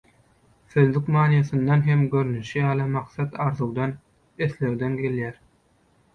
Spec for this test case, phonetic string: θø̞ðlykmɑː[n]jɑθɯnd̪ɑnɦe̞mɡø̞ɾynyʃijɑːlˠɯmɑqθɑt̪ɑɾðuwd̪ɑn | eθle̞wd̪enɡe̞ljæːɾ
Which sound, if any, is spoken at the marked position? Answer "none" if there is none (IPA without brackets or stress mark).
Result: n